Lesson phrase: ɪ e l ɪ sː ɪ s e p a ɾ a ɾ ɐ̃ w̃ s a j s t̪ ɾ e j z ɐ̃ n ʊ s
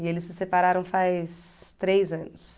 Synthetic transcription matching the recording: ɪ e l ɪ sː ɪ s e p a ɾ a ɾ ɐ̃ w̃ f a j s t̪ ɾ e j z ɐ̃ n ʊ s